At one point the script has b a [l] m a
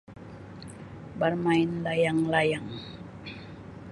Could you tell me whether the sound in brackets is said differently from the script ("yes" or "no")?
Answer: yes